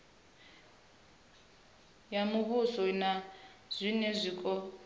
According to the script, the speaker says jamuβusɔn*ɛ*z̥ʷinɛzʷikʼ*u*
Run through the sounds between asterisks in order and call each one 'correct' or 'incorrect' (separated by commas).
incorrect, incorrect